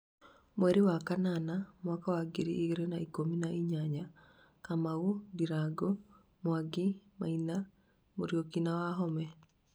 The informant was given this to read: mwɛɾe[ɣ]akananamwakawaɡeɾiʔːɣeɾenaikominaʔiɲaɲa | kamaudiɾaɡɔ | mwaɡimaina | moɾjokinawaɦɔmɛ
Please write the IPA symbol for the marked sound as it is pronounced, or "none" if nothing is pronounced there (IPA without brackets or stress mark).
w